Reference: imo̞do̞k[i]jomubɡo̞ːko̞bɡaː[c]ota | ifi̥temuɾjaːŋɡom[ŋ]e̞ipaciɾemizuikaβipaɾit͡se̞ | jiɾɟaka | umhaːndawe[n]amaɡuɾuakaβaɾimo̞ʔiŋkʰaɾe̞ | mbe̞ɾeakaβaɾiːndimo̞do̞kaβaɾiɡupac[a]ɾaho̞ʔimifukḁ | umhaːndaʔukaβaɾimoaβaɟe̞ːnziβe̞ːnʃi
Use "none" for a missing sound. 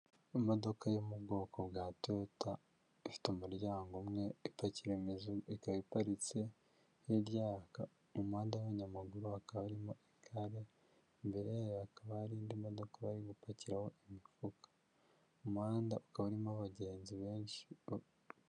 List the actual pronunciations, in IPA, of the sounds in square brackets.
a, t, ŋ, ɲ, i

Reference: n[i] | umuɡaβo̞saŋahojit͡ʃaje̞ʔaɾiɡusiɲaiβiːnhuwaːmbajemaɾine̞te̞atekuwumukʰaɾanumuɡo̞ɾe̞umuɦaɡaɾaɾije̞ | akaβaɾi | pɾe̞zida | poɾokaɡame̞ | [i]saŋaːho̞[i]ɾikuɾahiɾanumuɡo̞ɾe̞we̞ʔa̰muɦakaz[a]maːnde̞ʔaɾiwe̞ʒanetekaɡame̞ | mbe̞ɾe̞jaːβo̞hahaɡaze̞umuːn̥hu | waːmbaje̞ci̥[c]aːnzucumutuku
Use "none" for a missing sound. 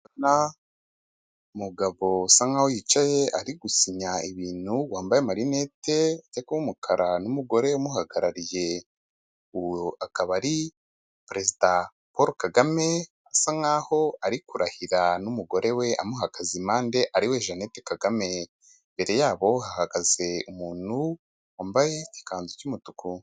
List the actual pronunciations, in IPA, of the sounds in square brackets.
a, a, a, i, k

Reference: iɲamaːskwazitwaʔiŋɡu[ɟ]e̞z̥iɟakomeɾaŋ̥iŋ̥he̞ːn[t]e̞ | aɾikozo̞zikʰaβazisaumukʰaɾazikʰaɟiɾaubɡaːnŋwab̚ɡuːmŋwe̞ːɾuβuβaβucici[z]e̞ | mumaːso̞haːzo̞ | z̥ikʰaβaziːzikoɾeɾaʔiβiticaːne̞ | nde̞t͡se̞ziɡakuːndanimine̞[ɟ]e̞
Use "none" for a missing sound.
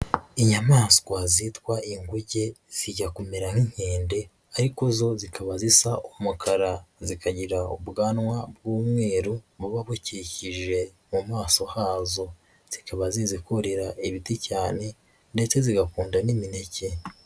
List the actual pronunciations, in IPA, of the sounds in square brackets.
ɟ, d, ʒ, c

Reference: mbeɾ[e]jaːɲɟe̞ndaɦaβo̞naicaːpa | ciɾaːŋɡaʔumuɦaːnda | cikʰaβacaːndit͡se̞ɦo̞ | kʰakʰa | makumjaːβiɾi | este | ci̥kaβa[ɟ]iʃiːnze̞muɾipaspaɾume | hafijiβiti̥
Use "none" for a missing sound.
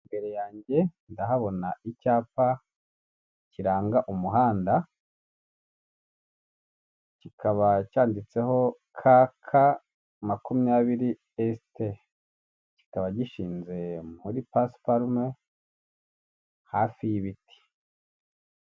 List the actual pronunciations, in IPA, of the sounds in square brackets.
e, ɟ

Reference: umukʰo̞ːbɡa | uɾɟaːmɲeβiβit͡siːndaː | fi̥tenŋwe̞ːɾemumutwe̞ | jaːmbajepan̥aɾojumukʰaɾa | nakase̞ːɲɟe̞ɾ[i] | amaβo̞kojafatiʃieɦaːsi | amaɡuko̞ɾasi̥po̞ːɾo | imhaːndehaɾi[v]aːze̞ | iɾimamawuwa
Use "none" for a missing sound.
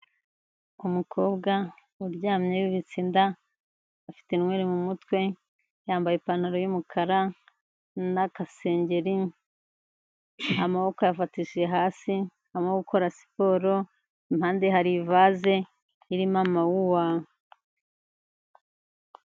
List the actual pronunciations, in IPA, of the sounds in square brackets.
i, v

